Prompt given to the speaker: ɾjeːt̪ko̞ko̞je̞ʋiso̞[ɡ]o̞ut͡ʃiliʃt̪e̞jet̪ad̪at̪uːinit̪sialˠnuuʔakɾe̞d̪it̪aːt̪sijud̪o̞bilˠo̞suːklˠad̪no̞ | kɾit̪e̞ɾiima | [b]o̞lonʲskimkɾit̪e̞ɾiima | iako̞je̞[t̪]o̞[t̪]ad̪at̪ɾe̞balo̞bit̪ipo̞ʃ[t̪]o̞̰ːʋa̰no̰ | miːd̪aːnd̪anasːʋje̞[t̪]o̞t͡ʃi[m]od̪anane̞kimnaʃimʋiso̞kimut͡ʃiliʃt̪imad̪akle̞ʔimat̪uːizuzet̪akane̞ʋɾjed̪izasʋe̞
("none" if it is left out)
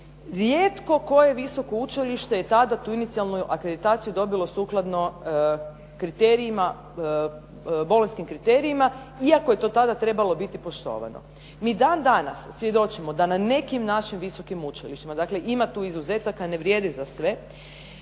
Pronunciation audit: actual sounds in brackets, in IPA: k, b, t̪, t̪, t̪, d̪, m

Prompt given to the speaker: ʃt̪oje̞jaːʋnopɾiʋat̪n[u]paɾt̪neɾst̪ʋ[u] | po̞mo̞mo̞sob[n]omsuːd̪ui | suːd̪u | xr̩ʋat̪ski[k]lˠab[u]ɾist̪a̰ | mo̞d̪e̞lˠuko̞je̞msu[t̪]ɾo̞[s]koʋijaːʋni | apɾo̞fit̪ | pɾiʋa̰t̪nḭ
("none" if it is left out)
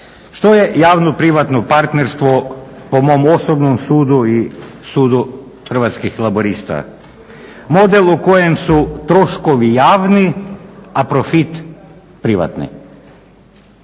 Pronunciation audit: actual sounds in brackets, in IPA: o, o, n, x, o, t̪, ʃ

